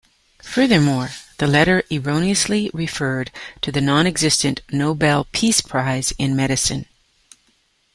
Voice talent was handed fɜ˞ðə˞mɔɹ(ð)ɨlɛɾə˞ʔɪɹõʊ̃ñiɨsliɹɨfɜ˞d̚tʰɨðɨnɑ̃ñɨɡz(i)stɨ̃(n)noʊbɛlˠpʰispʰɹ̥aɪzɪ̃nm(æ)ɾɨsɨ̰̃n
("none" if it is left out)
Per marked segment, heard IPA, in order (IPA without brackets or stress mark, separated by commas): ð, ɪ, n, ɛ